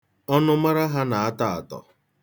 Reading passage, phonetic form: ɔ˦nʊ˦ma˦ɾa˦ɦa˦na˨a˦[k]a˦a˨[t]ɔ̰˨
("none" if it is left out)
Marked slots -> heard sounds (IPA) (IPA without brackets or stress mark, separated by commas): t, t